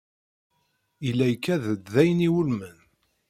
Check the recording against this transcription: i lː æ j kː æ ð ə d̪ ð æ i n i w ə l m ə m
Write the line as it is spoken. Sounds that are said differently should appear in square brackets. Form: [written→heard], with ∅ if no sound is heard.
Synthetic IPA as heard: i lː æ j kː æ ð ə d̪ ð æ [i→j] n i w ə l m ə [m→n]